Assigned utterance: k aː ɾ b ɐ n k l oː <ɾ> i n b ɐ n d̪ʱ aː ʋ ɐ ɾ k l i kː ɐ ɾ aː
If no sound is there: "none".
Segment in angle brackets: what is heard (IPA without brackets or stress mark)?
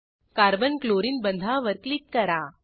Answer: ɾ